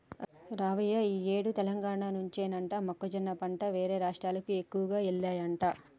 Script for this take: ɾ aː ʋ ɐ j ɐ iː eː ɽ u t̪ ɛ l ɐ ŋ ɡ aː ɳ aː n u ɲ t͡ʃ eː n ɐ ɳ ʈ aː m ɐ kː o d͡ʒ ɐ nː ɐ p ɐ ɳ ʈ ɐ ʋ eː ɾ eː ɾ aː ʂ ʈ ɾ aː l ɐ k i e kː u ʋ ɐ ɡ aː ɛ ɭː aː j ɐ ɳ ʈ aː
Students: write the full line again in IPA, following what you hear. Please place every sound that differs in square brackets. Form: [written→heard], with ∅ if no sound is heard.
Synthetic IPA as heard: ɾ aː ʋ ɐ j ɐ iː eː ɽ u t̪ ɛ l ɐ ŋ ɡ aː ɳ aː n u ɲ t͡ʃ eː n ɐ ɳ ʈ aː m ɐ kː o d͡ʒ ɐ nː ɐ p ɐ ɳ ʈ ɐ ʋ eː ɾ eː ɾ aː ʂ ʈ ɾ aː l ɐ k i e kː u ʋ ɐ ɡ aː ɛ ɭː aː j ɐ ɳ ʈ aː

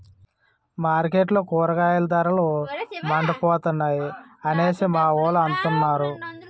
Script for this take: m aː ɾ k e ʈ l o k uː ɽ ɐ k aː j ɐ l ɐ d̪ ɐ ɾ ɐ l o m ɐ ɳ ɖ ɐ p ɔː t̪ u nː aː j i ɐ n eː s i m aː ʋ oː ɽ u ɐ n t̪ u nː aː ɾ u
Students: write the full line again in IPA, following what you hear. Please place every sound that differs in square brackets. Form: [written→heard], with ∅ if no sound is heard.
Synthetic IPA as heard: m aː ɾ k e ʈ l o k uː [ɽ→ɾ] ɐ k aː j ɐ l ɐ d̪ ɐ ɾ ɐ l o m ɐ ɳ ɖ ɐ p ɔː t̪ u nː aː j i ɐ n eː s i m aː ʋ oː [ɽ→l] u ɐ n t̪ u nː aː ɾ u

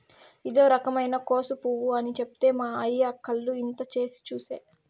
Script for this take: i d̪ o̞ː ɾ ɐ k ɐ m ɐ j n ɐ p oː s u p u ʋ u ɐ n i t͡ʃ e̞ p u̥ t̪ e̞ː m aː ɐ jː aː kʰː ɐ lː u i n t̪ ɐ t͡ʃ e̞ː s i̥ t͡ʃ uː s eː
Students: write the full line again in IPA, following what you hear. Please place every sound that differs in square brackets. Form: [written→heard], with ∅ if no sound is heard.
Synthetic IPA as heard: i d̪ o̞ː ɾ ɐ k ɐ m ɐ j n ɐ [p→k] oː s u p u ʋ u ɐ n i t͡ʃ e̞ p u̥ t̪ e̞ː m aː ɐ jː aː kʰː ɐ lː u i n t̪ ɐ t͡ʃ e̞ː s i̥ t͡ʃ uː s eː

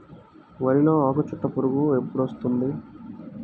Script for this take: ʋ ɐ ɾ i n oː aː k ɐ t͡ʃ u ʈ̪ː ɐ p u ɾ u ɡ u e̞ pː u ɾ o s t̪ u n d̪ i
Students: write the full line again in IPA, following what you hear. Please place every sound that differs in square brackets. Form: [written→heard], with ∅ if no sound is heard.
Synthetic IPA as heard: ʋ ɐ ɾ i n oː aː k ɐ t͡ʃ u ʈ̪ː ɐ p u ɾ u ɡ u e̞ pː u [ɾ→ɽ] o s t̪ u n d̪ i

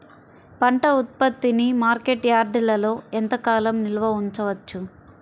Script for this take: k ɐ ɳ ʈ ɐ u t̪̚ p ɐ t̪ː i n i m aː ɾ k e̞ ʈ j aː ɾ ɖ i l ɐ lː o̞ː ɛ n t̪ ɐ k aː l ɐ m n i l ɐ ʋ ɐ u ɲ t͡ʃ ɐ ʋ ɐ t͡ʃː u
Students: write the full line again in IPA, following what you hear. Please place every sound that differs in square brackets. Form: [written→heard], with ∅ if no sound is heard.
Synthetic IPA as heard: [k→p] ɐ ɳ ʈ ɐ u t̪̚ p ɐ t̪ː i n i m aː ɾ k e̞ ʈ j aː ɾ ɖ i l ɐ [lː→l] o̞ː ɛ n t̪ ɐ k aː l ɐ m n i l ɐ ʋ ɐ u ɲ t͡ʃ ɐ ʋ ɐ t͡ʃː u

